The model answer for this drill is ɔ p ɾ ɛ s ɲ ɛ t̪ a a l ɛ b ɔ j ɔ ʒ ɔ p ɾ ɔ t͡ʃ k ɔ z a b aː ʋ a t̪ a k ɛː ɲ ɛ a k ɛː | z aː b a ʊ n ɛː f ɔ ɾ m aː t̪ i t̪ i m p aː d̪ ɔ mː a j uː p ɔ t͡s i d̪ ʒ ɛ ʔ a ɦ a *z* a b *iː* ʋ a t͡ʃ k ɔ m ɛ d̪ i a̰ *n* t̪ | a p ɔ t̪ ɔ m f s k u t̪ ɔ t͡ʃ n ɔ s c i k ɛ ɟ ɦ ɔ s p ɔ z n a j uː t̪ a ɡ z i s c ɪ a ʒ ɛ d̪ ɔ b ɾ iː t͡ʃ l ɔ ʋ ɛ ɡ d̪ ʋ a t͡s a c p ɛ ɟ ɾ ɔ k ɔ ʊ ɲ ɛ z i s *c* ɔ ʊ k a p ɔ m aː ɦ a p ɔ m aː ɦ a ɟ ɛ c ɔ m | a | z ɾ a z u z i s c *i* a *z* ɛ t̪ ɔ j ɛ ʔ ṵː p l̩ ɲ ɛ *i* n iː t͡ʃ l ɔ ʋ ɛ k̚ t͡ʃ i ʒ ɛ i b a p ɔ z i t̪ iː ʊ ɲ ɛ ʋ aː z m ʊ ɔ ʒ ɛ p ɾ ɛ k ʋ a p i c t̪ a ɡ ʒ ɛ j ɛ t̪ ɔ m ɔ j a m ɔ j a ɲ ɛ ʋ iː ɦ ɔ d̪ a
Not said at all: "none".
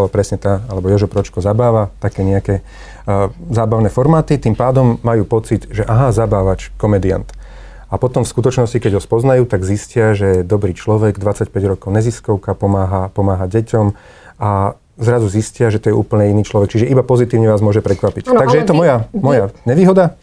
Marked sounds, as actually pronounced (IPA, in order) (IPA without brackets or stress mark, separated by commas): z, aː, n, k, ɪ, ʒ, i